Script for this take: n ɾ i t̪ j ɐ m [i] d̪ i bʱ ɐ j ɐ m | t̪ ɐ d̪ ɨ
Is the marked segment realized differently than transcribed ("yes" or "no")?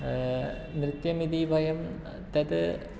no